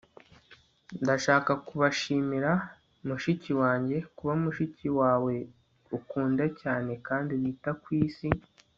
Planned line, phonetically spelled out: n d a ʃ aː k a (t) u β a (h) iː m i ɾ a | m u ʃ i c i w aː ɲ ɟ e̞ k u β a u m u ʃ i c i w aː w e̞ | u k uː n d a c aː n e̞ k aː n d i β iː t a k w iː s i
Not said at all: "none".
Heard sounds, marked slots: k, ʃ

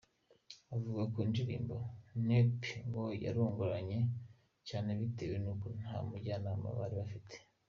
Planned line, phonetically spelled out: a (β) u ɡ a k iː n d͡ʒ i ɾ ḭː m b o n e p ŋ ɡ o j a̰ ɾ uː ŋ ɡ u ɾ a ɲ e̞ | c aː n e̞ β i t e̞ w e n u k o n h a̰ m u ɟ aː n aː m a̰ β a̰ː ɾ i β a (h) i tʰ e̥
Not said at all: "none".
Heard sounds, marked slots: v, f

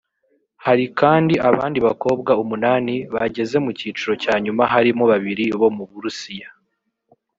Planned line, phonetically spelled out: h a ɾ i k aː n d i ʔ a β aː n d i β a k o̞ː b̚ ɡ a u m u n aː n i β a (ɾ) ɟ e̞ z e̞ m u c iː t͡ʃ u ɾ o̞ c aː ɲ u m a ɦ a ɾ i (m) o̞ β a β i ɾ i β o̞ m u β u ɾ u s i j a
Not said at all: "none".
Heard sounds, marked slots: none, m

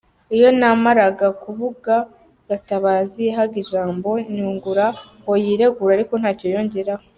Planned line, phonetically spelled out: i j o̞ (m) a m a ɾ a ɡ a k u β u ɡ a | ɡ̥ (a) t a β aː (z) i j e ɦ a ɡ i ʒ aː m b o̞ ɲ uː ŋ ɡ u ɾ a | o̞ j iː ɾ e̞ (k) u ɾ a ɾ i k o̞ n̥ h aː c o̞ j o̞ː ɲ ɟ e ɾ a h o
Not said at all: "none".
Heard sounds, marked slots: n, a, z, ɡ

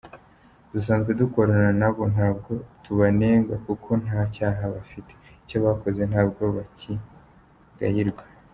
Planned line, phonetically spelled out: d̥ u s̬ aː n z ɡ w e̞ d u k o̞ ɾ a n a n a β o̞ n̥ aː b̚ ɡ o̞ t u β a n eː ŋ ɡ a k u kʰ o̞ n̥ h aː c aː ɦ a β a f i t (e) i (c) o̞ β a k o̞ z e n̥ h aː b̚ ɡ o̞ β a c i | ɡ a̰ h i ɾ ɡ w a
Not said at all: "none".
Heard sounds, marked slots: e, c

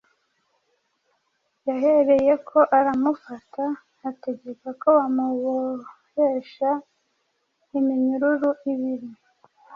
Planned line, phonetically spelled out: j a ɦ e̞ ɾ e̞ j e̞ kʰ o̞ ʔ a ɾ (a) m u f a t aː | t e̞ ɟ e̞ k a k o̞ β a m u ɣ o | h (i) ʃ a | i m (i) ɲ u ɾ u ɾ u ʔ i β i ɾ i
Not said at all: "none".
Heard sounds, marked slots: a, e, i

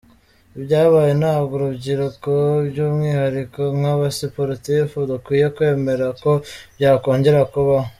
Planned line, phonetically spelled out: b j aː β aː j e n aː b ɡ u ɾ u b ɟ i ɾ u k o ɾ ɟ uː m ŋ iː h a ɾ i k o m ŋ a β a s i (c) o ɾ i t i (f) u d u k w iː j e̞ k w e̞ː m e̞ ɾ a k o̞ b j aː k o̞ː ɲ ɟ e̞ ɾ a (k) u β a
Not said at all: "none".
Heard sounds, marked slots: p, f, k

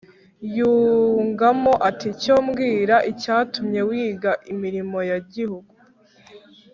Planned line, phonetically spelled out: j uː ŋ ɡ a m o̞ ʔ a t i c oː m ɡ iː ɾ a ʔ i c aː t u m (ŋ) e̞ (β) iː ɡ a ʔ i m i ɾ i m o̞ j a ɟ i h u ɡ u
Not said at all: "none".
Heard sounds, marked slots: ɲ, w

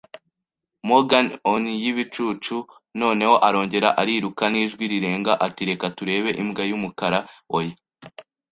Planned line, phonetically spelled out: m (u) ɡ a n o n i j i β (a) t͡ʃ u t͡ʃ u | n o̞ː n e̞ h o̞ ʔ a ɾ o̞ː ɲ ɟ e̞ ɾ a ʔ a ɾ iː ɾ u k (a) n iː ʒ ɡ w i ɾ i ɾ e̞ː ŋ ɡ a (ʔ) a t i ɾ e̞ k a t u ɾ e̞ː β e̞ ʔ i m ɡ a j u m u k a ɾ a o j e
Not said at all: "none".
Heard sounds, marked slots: o, i, a, ʔ

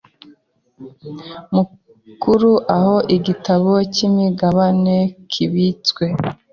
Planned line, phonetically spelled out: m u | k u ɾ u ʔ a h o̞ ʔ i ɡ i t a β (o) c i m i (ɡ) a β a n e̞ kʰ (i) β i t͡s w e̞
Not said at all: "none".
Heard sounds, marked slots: o, ɡ, i

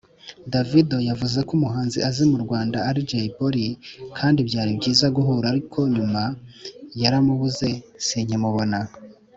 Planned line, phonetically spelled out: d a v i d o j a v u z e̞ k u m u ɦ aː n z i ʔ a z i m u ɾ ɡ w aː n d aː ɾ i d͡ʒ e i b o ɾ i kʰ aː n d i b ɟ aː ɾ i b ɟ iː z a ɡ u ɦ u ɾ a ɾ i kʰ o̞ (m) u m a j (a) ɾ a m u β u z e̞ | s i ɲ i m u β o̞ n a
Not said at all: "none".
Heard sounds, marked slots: ɲ, a

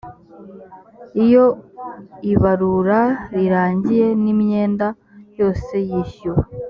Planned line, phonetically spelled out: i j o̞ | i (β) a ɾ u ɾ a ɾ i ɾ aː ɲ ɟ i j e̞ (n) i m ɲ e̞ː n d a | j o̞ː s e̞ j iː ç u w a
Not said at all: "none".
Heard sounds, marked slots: β, n

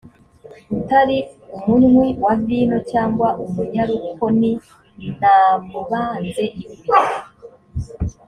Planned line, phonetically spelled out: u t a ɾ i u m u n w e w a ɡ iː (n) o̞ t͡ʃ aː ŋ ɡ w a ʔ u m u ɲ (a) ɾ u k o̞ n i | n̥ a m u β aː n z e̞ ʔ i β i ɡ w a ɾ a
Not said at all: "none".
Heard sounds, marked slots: n, a

